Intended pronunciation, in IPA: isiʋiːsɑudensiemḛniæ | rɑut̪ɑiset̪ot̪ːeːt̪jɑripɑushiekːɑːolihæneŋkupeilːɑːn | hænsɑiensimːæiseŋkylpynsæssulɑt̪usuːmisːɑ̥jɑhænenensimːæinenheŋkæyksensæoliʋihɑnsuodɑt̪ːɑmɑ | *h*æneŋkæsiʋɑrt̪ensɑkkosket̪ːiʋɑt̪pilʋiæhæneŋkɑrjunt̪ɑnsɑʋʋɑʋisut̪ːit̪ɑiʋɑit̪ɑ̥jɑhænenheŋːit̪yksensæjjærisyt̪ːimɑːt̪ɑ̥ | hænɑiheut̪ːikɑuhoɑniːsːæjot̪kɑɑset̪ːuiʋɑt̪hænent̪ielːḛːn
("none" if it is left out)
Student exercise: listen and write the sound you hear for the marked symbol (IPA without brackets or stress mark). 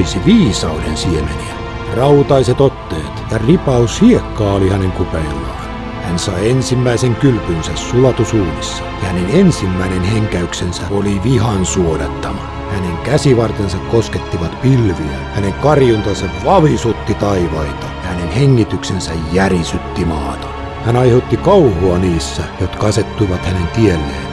h